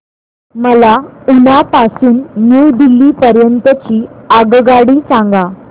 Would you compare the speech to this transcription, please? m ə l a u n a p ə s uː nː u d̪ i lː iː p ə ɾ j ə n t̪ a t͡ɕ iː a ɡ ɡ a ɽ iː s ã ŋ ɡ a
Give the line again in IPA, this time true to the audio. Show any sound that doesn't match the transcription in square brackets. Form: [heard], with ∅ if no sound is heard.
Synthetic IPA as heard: m ə l a u n a p [a] s uː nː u d̪ i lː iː p ə ɾ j ə n t̪ [ə] t͡ɕ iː a ɡ ɡ a ɽ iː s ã ŋ ɡ a